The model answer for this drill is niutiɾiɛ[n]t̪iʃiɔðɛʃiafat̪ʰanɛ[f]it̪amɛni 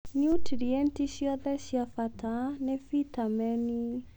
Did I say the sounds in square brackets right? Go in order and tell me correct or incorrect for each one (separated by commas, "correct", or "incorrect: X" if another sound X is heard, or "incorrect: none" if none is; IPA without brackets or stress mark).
correct, correct